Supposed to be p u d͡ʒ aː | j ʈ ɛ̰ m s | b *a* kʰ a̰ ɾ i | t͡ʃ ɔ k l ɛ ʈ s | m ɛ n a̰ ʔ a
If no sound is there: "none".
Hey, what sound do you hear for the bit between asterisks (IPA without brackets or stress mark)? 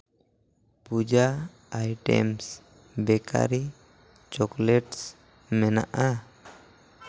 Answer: ɛ